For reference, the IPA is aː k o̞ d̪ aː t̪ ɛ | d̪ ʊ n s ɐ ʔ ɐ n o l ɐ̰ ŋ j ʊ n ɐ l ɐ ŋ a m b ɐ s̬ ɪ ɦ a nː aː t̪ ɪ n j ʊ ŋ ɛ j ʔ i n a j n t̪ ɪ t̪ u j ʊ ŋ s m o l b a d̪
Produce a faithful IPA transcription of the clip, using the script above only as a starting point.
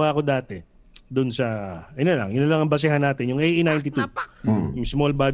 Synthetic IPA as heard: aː k o̞ d̪ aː t̪ ɛ | d̪ ʊ n s ɐ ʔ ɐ n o l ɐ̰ ŋ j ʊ n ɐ l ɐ ŋ ɐ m b ɐ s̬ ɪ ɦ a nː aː t̪ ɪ n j ʊ ŋ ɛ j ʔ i n a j n t̪ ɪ t̪ u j ʊ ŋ s m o l b a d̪